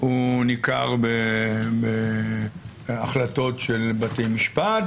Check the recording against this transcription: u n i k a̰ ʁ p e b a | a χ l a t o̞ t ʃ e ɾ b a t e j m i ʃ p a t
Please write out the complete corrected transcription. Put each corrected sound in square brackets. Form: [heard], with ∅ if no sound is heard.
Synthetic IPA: u n i k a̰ ʁ [b] e b [e] | a χ l a t o̞ t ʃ e [l] b a t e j m i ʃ p a t